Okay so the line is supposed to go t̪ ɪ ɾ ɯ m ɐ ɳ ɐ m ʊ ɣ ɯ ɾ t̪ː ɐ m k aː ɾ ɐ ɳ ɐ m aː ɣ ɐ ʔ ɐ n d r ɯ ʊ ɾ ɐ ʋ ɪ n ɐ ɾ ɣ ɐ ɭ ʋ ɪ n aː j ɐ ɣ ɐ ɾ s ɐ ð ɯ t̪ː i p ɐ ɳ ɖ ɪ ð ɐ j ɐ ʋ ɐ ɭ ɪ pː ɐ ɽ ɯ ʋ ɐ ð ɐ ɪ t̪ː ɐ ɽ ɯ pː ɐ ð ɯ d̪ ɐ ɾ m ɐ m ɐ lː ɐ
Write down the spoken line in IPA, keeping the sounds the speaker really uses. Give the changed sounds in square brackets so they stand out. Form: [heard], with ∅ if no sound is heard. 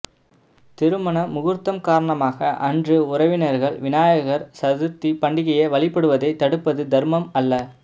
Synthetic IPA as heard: t̪ ɪ ɾ ɯ m ɐ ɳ ɐ m ʊ ɣ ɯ ɾ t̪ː ɐ m k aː ɾ ɐ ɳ ɐ m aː ɣ ɐ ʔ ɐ n d r ɯ ʊ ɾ ɐ ʋ ɪ n ɐ ɾ ɣ ɐ ɭ ʋ ɪ n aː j ɐ ɣ ɐ ɾ s ɐ ð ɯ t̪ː i p ɐ ɳ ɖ ɪ [ɣ] ɐ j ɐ ʋ ɐ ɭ ɪ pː ɐ ɽ ɯ ʋ ɐ ð ɐ ɪ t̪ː ɐ ɽ ɯ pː ɐ ð ɯ d̪ ɐ ɾ m ɐ m ɐ lː ɐ